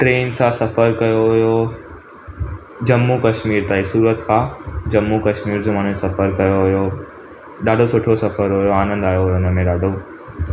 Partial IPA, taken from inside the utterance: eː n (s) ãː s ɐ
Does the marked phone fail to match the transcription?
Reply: no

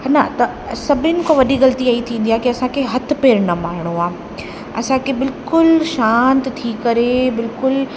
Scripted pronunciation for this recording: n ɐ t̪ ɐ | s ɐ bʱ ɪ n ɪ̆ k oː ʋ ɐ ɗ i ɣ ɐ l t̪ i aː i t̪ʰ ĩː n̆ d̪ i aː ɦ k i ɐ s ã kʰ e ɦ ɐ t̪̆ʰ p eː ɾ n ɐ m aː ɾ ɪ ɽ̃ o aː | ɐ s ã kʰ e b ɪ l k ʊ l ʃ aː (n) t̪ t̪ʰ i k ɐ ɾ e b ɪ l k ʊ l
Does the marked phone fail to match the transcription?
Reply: no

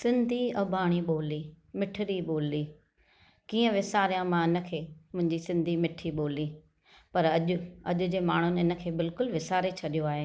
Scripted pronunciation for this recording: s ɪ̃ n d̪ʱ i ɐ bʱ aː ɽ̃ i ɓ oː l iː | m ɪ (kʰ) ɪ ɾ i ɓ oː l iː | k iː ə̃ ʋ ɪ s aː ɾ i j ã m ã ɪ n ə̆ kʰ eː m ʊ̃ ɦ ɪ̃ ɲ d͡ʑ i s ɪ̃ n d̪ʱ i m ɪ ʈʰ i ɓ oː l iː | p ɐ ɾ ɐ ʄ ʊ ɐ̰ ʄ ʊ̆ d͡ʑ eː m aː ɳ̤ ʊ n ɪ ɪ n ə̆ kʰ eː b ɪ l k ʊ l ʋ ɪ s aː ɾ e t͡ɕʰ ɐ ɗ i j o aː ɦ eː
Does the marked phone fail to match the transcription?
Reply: yes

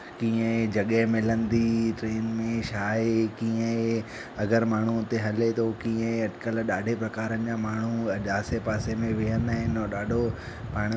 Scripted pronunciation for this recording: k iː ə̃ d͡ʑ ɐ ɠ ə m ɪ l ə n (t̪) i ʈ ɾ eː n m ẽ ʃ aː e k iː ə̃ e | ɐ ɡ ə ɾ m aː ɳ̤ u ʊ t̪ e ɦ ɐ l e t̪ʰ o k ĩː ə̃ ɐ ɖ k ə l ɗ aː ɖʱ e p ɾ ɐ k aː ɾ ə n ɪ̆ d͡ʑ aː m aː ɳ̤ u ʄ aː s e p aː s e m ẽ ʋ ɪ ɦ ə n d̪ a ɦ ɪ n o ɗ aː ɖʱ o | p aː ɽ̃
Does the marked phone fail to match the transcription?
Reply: yes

